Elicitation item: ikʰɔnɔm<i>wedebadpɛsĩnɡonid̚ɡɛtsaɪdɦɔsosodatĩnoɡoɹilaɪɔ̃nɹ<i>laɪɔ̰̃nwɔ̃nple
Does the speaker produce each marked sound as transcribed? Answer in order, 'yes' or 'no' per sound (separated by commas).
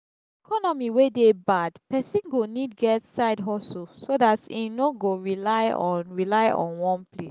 yes, yes